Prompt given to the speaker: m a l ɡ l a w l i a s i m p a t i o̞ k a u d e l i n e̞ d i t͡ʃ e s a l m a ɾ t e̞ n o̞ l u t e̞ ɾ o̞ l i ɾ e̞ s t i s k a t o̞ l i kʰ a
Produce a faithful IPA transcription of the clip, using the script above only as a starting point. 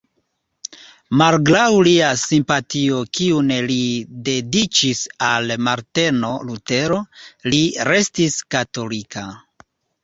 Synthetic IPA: m a l ɡ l a w l i a s i m p a t i o̞ k i u n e l i d e̞ d i t͡ʃ i s a l m a ɾ t e̞ n o̞ l u t e̞ ɾ o̞ l i ɾ e̞ s t i s k a t o̞ l i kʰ a